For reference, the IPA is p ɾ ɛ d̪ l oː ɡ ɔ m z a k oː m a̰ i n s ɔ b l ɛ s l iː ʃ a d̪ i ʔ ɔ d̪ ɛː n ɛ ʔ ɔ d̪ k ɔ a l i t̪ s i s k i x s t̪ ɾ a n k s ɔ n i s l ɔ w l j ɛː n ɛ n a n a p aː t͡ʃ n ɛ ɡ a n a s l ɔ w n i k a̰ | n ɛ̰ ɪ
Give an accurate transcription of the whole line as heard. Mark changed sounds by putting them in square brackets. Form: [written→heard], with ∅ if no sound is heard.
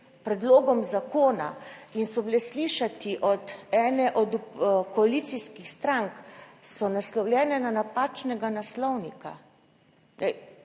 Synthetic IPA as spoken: p ɾ ɛ d̪ l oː ɡ ɔ m z a k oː [m→n] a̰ i n s ɔ b l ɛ s l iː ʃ a [d̪→t̪] i ʔ ɔ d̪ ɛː n ɛ ʔ ɔ d̪ k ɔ a l i t̪ s i s k i x s t̪ ɾ a [n→ŋ] k s ɔ n [i→a] s l ɔ w l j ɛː n ɛ n a n a p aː t͡ʃ n ɛ ɡ a n a s l ɔ w n i k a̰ | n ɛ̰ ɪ